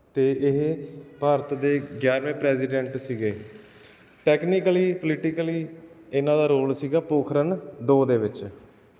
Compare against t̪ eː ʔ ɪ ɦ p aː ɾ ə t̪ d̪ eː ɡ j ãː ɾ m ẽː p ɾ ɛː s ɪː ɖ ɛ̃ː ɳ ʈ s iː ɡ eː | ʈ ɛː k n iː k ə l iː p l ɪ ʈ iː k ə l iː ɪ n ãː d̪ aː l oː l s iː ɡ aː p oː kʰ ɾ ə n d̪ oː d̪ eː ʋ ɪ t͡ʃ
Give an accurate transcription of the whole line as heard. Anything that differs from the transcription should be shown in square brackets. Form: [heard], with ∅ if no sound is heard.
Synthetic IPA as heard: t̪ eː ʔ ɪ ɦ p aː ɾ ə t̪ d̪ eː ɡ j [aː] ɾ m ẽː p ɾ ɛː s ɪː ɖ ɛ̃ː ɳ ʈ s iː ɡ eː | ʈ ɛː k n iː k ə l iː p l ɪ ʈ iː k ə l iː ɪ n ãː d̪ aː [ɾ] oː l s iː ɡ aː p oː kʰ ɾ ə n d̪ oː d̪ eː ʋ ɪ t͡ʃ

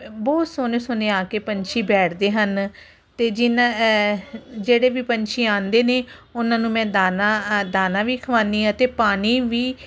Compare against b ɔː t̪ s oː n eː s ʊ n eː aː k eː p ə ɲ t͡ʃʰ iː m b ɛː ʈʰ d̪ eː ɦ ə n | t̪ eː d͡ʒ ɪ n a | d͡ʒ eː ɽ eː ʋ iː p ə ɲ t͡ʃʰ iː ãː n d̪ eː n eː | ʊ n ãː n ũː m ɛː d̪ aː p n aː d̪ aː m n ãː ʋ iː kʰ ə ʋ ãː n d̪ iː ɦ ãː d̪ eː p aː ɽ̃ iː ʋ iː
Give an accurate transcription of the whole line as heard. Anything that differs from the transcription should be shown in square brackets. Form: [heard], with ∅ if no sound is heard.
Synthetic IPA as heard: b ɔː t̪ s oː n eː s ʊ n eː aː k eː p ə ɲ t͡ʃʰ iː [∅] b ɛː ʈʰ d̪ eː ɦ ə n | t̪ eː d͡ʒ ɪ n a | d͡ʒ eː ɽ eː ʋ iː p ə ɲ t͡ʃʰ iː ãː n d̪ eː n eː | ʊ n ãː n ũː m [ɛ̃ː] d̪ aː [∅] n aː d̪ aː [∅] n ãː ʋ iː kʰ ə ʋ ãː n d̪ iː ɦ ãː [t̪] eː p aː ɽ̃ iː ʋ iː

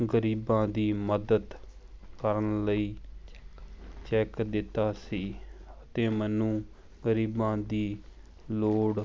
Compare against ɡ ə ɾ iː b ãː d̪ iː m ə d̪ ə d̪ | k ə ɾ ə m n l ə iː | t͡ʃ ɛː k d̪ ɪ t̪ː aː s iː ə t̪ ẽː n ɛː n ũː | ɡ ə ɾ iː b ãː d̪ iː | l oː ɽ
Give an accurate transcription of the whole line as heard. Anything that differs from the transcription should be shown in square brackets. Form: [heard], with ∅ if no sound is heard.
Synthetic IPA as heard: ɡ ə ɾ iː b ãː d̪ iː m ə d̪ ə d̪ | k ə ɾ ə [∅] n l ə iː | t͡ʃ ɛː k d̪ ɪ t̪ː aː s iː ə t̪ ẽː [m] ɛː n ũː | ɡ ə ɾ iː b ãː d̪ iː | l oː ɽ

